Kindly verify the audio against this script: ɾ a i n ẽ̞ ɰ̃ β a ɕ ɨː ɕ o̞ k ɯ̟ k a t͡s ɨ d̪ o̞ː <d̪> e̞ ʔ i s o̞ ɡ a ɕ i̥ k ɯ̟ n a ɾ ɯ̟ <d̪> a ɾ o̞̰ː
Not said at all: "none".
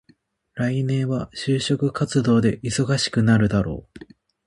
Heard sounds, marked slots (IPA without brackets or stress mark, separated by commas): d̪, d̪